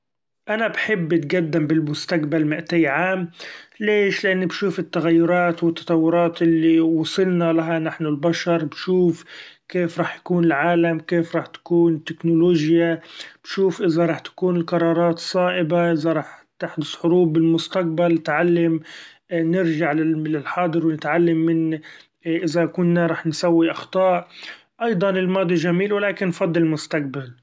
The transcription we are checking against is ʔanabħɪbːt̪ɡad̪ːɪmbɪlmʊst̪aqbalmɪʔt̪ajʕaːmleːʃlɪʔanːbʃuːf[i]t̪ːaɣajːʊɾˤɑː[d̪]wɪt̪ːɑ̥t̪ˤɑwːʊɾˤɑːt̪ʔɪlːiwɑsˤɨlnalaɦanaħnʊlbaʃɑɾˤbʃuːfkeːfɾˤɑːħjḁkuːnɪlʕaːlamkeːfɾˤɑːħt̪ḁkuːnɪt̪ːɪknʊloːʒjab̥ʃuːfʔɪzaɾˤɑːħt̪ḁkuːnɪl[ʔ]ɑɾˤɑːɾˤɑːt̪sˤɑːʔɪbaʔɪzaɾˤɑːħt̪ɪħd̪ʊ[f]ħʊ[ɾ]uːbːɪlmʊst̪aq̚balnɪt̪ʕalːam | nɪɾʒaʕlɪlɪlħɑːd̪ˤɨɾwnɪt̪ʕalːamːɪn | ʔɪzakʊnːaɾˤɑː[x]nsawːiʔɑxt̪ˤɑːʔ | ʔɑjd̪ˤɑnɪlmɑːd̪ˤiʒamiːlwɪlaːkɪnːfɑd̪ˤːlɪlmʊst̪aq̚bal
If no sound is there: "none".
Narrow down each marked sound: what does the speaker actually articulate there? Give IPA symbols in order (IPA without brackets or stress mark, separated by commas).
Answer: ɪ, t̪, q, s, ɾ, ħ